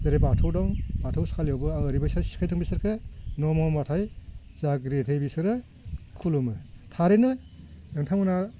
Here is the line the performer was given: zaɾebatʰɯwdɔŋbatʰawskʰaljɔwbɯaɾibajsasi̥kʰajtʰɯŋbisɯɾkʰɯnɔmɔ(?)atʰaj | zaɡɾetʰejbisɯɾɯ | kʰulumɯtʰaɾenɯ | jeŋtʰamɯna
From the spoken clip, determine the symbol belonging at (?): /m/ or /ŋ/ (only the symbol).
m